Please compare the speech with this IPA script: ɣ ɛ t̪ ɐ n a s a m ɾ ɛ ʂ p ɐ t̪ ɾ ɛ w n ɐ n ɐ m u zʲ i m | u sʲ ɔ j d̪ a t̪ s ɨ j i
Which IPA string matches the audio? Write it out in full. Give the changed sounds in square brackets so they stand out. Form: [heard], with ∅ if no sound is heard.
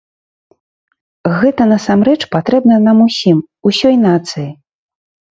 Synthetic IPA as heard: ɣ ɛ t̪ ɐ n [ɐ] s a m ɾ ɛ [t͡ʂ] p [a] t̪ ɾ ɛ [b] n ɐ n [a] m u [sʲ] i m | u sʲ ɔ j [n̪] a t̪ s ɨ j i